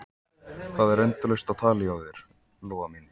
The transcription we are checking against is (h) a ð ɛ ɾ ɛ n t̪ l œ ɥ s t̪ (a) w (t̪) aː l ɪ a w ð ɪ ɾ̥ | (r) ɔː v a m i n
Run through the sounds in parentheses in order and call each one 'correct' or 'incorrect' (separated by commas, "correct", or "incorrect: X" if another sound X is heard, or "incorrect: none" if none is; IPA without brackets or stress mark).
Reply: incorrect: θ, correct, incorrect: t̪ʰ, incorrect: l